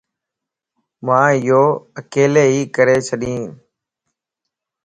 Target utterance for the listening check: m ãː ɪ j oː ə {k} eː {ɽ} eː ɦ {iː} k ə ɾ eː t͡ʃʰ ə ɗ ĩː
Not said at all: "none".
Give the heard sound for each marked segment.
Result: k, l, iː

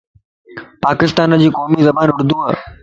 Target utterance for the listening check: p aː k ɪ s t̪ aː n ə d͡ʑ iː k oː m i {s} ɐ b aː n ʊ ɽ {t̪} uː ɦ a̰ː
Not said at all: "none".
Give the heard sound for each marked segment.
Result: z, d̪

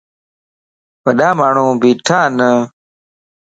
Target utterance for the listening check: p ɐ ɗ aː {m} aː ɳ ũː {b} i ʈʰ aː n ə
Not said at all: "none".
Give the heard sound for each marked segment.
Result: m, b

